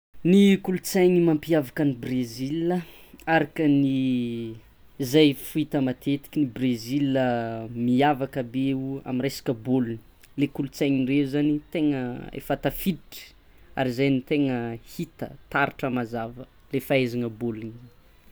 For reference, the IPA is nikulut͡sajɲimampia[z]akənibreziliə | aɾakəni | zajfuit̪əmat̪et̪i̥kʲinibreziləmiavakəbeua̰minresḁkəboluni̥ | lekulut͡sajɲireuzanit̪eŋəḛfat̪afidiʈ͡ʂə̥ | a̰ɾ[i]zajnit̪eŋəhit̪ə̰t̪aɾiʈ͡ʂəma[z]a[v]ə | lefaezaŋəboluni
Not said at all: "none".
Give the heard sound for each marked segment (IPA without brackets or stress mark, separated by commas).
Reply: v, i, z, v